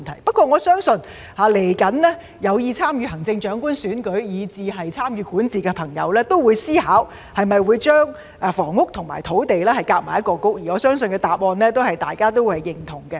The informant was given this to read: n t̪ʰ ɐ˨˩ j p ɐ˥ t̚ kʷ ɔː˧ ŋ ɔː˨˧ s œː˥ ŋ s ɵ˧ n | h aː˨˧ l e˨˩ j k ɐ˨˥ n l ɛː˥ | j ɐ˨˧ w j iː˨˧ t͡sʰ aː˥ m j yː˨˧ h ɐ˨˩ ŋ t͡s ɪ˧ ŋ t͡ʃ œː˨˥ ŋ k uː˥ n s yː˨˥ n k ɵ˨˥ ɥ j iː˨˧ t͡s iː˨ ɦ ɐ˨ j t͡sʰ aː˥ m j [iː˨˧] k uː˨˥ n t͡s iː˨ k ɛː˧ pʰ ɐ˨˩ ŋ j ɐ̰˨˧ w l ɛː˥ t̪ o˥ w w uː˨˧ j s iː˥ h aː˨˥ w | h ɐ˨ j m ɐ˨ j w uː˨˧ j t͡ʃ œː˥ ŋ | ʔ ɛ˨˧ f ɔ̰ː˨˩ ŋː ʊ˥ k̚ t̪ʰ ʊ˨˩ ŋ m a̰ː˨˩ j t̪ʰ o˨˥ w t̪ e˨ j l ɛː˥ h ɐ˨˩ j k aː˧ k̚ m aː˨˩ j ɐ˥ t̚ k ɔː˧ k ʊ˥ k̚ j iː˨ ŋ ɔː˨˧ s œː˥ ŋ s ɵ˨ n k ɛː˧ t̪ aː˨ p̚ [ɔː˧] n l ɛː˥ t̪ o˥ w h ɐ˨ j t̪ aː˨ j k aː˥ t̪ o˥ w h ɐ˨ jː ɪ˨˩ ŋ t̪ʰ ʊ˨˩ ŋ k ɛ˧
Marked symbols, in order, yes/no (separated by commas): no, yes